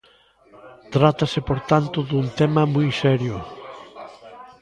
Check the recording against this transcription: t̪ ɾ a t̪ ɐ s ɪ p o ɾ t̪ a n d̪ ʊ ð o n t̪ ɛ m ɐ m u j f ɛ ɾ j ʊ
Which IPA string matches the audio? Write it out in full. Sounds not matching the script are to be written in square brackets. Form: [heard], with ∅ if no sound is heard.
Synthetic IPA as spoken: t̪ ɾ a t̪ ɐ s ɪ p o ɾ t̪ a n [t̪] ʊ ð [u] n t̪ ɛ m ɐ m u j [s] ɛ ɾ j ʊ